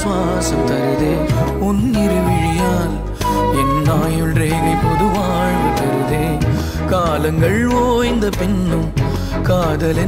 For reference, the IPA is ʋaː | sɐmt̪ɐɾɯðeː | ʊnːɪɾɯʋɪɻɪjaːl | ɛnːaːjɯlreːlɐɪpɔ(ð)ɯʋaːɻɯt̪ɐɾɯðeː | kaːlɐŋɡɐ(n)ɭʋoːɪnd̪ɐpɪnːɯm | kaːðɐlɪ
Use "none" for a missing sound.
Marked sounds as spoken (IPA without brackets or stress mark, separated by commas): ð, none